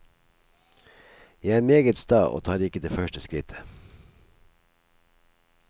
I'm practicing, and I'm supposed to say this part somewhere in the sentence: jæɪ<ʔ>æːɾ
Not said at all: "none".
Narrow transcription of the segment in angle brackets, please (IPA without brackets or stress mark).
none